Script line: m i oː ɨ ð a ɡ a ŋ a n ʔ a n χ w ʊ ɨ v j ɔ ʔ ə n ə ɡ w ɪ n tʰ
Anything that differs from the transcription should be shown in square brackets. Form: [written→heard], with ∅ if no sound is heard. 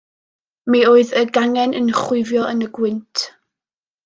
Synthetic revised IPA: m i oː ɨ ð [a→ə] ɡ a ŋ [a→ɛ] n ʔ [a→ə] n χ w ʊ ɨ v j ɔ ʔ ə n ə ɡ w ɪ n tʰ